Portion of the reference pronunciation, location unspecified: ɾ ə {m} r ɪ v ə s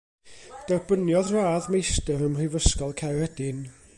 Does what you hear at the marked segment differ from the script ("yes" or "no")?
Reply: no